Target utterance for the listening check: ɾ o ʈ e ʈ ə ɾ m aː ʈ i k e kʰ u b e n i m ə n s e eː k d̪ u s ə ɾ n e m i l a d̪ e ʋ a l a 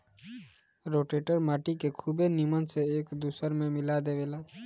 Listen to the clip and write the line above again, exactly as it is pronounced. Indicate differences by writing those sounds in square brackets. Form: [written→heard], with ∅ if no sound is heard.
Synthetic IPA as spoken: ɾ o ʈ e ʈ ə ɾ m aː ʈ i k e kʰ u b e n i m ə n s e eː k d̪ u s ə ɾ [n→m] e m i l a d̪ e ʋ [a→e] l a